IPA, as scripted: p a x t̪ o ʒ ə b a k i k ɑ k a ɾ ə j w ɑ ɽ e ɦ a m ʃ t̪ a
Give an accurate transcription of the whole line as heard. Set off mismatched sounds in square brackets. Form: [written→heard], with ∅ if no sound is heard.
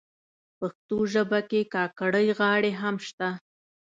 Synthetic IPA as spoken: p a x t̪ o ʒ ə b a k [i→e] k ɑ k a [ɾ→ɽ] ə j [w→ɣ] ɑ ɽ e ɦ a m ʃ t̪ a